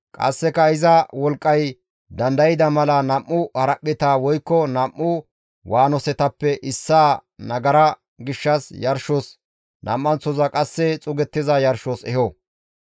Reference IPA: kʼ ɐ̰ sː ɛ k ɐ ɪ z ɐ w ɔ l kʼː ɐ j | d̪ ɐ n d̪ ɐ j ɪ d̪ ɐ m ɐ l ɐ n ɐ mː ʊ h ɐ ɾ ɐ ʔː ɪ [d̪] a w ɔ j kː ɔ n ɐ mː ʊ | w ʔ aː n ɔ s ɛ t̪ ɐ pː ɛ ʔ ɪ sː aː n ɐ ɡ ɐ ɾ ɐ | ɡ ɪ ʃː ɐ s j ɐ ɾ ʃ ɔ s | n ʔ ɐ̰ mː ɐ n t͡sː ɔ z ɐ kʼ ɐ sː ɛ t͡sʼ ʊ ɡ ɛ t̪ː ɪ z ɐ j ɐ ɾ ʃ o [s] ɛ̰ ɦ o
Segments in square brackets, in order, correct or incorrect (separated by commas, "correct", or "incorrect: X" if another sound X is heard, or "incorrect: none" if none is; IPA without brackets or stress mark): incorrect: t̪, correct